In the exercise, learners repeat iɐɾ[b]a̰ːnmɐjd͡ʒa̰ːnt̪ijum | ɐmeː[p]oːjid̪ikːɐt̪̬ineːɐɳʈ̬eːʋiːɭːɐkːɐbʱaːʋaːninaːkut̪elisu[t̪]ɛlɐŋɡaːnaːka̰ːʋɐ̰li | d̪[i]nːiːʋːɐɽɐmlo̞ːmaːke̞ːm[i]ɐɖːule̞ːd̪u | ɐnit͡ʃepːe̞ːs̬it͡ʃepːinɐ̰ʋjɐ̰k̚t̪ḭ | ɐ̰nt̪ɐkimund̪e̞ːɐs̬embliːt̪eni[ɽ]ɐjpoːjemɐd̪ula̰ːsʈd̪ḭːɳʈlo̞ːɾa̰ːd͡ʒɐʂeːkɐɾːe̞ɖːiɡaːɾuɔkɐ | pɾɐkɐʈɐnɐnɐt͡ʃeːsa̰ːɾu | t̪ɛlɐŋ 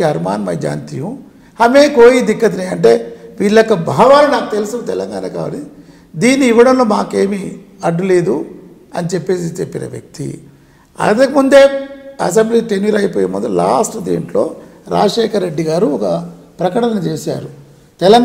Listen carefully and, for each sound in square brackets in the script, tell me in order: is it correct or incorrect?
incorrect, incorrect, correct, incorrect, correct, incorrect

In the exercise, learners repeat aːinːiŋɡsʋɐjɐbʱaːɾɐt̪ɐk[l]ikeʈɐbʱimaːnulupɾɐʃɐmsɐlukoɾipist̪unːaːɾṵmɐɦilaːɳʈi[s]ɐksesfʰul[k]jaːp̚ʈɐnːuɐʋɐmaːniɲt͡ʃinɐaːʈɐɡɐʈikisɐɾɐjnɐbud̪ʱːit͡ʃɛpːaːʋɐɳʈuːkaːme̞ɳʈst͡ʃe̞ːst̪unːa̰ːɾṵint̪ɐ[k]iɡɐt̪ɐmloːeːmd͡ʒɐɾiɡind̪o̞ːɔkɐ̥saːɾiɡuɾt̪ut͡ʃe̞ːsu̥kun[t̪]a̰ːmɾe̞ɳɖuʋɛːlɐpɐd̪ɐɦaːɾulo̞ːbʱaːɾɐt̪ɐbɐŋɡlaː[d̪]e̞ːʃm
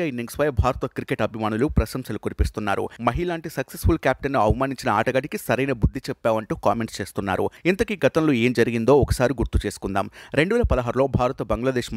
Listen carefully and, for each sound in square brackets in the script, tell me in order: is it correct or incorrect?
incorrect, correct, correct, correct, incorrect, correct

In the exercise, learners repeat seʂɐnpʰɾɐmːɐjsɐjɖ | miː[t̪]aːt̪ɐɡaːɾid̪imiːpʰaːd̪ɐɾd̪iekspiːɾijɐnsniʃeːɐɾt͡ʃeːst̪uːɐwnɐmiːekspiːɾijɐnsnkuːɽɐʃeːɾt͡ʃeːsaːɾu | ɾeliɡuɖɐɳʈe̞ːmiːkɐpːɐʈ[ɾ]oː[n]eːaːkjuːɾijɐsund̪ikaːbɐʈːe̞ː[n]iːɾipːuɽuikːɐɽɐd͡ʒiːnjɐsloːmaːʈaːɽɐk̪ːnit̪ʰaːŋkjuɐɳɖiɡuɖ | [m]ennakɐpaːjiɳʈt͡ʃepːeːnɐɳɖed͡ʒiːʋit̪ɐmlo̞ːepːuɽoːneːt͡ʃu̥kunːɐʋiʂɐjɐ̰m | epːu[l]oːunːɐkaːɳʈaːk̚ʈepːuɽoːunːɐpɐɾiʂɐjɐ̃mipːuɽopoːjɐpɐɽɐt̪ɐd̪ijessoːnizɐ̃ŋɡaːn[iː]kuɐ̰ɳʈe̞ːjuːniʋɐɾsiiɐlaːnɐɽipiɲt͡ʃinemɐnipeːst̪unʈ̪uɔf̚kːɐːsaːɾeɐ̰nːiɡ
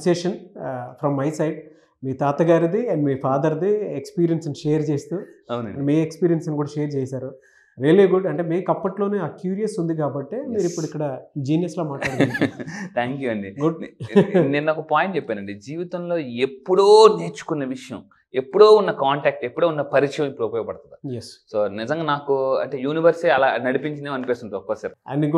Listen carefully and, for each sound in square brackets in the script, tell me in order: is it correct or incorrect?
correct, incorrect, correct, incorrect, incorrect, incorrect, incorrect

